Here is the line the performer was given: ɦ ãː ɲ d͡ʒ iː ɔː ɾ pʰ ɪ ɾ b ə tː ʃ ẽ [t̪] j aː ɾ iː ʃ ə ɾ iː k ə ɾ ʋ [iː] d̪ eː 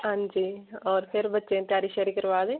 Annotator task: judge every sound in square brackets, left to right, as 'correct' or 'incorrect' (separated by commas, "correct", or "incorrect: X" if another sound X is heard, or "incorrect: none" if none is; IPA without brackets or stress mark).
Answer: correct, incorrect: aː